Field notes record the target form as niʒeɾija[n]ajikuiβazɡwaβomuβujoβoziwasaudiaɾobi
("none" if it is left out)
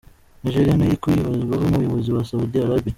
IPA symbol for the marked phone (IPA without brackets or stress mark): n